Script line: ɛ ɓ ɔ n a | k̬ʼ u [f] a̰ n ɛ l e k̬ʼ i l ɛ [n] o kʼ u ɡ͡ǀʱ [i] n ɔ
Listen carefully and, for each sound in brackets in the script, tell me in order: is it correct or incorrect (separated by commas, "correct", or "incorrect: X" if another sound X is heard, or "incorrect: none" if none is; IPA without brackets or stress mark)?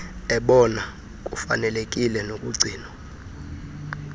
correct, correct, incorrect: iː